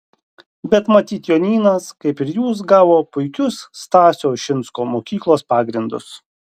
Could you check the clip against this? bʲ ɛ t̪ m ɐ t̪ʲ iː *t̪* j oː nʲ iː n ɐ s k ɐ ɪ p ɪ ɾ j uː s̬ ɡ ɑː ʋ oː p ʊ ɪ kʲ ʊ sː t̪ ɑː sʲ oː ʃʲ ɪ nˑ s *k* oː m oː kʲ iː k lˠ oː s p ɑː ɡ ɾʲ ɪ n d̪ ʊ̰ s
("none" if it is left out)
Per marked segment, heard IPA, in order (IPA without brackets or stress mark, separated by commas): t̪, k